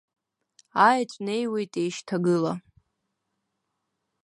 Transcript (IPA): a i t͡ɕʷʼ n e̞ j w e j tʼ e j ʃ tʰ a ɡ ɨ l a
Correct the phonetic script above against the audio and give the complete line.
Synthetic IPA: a j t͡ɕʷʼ n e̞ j w e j tʼ e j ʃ tʰ a ɡ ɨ l a